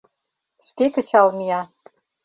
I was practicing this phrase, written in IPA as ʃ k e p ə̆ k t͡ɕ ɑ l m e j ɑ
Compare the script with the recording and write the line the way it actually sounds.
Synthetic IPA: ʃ k e k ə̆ t͡ɕ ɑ l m i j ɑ